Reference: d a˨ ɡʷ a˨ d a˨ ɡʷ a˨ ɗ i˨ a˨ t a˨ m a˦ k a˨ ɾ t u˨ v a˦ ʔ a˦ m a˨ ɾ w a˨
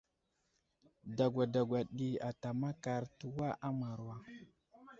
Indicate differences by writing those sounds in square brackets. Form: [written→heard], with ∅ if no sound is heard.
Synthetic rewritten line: d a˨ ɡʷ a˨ d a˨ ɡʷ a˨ ɗ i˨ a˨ t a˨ m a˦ k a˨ ɾ t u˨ [v→w] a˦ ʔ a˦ m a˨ ɾ w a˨